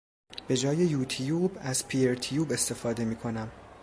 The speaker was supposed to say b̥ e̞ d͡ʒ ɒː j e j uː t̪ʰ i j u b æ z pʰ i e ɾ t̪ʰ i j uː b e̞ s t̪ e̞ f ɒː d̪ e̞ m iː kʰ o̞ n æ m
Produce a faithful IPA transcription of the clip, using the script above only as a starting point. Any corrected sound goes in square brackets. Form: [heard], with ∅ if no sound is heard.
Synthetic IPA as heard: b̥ e̞ d͡ʒ ɒː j e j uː t̪ʰ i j u b æ z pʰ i e ɾ t̪ʰ i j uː b e̞ s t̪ e̞ f ɒː d̪ e̞ m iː kʰ o̞ n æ m